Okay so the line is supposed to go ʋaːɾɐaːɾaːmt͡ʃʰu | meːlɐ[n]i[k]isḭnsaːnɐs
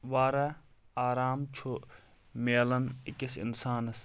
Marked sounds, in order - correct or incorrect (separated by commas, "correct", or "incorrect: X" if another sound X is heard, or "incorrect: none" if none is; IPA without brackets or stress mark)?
correct, correct